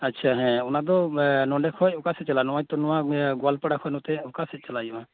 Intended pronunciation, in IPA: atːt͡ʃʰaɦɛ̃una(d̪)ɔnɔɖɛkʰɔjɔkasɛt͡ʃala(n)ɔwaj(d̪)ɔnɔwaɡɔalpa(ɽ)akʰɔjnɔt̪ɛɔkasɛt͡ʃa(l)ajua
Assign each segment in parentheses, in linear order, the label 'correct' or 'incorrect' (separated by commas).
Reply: correct, correct, incorrect, correct, correct